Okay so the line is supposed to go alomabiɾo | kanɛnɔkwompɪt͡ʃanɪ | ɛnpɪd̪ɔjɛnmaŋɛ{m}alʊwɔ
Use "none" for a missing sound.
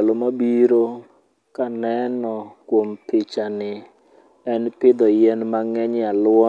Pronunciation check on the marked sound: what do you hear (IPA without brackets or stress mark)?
ɲ